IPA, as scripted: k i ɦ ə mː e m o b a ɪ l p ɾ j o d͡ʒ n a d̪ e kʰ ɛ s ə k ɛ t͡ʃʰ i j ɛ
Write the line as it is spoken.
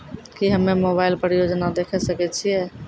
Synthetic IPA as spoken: k i ɦ ə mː e m o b a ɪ l p ɾ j o d͡ʒ n a d̪ e kʰ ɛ s ə k ɛ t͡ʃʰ i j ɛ